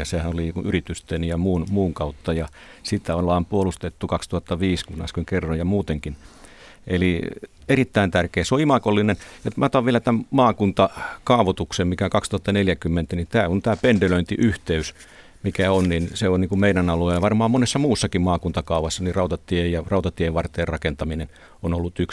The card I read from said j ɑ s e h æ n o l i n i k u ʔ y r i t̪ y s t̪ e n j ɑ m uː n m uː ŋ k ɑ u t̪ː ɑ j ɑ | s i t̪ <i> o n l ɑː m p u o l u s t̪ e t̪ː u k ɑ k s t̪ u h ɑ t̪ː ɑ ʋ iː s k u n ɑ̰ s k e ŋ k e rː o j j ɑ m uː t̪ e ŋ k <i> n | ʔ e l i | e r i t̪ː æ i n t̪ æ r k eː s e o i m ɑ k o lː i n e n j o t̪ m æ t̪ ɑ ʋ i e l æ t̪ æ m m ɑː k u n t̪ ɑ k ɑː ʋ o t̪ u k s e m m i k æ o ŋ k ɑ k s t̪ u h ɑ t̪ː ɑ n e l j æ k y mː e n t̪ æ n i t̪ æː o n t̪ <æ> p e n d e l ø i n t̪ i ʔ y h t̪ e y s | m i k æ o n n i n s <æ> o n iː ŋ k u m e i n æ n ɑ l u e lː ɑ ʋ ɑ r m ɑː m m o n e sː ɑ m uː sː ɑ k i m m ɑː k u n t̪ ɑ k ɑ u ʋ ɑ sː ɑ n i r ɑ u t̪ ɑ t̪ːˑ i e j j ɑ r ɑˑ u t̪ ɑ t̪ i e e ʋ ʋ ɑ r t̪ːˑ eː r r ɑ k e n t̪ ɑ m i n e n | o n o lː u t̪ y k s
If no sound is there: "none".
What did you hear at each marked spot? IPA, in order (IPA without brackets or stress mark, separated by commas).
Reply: æ, i, æː, e